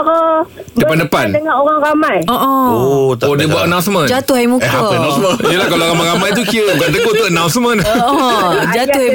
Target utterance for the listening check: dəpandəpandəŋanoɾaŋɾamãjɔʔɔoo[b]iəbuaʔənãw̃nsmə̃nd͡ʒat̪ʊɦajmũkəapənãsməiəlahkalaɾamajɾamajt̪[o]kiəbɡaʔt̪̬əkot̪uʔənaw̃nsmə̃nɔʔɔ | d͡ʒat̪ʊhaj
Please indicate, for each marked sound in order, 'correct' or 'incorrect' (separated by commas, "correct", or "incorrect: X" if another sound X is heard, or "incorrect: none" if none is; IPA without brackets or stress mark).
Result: incorrect: d, incorrect: u